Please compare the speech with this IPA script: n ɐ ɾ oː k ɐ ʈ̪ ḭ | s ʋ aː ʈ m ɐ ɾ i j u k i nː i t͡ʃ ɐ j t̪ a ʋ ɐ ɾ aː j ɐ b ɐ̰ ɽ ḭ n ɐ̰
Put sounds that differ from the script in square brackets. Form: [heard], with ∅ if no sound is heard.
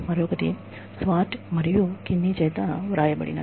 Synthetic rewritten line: [m] ɐ ɾ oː k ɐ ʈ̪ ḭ | s ʋ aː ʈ m ɐ ɾ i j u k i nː i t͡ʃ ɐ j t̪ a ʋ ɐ ɾ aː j ɐ b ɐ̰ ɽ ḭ n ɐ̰